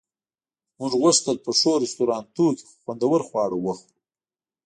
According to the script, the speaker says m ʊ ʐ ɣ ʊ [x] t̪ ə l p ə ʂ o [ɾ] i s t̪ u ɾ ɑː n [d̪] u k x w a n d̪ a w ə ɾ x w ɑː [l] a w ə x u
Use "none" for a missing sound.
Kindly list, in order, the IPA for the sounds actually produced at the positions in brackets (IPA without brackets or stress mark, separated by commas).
ʂ, ɾ, t̪, ɽ